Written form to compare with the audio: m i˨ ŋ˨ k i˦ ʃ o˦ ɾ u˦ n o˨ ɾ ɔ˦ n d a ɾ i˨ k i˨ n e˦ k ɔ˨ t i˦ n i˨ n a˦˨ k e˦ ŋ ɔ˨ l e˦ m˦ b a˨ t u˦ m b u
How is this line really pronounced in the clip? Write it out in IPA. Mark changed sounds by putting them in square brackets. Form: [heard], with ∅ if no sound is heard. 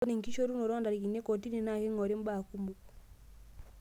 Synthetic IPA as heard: [n] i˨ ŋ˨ k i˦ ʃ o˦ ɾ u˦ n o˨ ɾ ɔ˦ n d a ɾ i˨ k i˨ n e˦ k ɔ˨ t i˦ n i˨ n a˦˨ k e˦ ŋ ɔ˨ [ɾ] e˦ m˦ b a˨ [k] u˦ m b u